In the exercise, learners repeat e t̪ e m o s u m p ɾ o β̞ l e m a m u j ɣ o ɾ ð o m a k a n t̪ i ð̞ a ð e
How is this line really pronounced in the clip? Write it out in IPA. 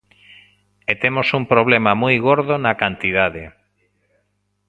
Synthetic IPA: e t̪ e m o s u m p ɾ o β̞ l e m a m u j ɣ o ɾ ð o n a k a n t̪ i ð̞ a ð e